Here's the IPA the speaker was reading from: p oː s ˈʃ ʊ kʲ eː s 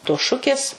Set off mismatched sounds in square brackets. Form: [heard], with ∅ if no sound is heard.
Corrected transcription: [t] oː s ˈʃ ʊ kʲ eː s